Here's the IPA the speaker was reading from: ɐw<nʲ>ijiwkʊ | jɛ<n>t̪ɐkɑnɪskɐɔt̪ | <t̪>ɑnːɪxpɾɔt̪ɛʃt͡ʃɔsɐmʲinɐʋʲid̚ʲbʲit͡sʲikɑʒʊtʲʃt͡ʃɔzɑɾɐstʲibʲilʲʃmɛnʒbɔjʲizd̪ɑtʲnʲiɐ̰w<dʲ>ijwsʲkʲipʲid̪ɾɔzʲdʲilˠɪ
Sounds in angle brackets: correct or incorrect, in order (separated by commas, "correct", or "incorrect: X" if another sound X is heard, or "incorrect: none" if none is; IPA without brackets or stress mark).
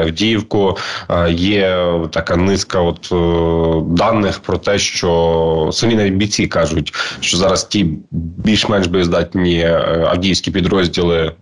incorrect: dʲ, incorrect: none, incorrect: d̪, correct